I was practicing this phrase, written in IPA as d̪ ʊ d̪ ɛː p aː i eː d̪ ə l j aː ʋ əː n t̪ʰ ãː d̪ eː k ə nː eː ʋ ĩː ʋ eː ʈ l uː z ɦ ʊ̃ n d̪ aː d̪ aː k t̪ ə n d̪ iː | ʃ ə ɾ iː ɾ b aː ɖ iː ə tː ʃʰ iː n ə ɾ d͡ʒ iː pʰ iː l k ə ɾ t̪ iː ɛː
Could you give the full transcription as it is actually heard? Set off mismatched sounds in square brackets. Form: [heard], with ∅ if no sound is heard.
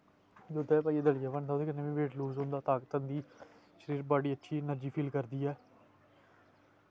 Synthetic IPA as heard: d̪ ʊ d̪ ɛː p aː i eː d̪ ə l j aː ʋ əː n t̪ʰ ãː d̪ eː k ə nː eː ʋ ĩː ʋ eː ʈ l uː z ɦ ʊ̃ n d̪ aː [t̪] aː k t̪ ə n d̪ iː | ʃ ə ɾ iː ɾ b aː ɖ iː ə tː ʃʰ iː n ə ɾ d͡ʒ iː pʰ iː l k ə ɾ [d̪] iː ɛː